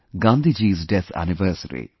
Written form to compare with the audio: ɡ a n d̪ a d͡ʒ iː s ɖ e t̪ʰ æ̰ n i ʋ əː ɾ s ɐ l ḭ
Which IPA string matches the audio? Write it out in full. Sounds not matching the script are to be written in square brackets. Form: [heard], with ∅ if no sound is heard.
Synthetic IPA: ɡ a n d̪ [i] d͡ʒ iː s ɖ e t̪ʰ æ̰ n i ʋ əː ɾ s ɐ [ɾ] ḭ

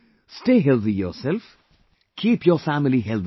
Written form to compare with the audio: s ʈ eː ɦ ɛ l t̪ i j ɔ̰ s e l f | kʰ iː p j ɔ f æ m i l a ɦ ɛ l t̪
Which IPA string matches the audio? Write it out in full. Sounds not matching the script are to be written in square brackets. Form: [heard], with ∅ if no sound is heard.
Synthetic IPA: s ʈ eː ɦ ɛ l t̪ i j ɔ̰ s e l f | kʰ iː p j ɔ f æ m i l [i] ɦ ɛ l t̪

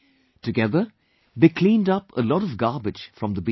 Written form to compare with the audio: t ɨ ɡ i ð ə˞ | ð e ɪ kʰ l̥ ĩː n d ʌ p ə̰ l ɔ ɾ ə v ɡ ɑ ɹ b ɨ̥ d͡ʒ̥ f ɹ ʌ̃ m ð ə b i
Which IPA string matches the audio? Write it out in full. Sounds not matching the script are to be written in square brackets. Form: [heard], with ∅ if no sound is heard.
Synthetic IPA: t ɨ ɡ [ɛ] ð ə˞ | ð e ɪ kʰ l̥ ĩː n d ʌ p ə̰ l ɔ ɾ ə v ɡ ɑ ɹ b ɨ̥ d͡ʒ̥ f ɹ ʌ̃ m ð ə b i

